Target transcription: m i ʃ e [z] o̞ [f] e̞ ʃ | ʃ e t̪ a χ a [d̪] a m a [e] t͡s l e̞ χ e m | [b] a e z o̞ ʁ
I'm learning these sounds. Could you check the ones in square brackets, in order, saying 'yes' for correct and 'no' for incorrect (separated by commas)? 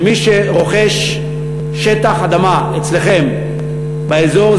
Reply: no, no, yes, yes, yes